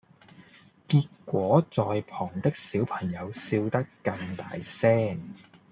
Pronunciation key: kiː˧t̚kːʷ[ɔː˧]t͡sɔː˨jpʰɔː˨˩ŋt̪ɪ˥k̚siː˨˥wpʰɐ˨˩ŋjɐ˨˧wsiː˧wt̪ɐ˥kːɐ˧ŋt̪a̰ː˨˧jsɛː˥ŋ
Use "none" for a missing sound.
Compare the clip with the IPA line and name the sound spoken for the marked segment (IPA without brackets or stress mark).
ɔː˨˥